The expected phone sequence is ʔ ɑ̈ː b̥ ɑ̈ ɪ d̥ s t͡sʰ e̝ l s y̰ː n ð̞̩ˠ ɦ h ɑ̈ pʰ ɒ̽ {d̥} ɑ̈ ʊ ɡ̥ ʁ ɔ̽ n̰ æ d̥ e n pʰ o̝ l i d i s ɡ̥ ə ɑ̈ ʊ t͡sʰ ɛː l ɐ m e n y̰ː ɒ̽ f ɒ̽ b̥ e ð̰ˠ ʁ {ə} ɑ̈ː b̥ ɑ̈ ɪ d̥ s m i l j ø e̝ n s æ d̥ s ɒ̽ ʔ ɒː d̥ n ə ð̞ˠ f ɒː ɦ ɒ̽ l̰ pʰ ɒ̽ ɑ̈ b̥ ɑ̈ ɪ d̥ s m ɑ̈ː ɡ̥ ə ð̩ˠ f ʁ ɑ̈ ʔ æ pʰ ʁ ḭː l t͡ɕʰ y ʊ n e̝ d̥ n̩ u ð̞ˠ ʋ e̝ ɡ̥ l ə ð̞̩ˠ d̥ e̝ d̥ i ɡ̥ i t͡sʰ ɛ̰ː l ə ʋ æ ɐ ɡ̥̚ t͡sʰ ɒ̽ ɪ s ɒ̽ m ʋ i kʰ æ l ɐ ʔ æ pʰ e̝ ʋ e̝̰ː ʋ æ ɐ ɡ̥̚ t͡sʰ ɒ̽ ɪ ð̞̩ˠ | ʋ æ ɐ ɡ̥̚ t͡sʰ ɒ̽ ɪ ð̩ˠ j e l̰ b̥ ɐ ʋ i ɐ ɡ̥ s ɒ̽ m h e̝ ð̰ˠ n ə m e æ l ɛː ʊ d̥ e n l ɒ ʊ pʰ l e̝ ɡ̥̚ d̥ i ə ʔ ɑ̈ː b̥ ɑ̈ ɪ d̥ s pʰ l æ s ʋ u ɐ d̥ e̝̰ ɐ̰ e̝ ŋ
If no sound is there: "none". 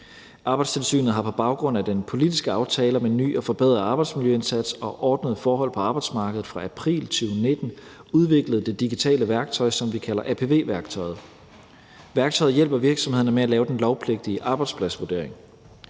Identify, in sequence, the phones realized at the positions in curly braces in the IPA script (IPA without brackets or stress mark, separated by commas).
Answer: b̥, ɐ